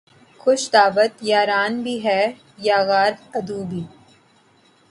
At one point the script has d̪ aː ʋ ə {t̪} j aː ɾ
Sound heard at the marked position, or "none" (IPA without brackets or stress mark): t̪